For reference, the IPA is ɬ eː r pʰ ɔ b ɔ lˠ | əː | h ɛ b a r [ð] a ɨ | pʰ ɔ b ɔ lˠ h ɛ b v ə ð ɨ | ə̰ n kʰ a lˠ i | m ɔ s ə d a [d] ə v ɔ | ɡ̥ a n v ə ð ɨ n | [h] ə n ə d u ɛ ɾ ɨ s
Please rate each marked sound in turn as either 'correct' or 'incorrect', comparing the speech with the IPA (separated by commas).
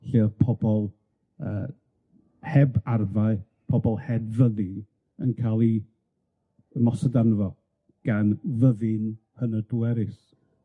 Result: incorrect, incorrect, correct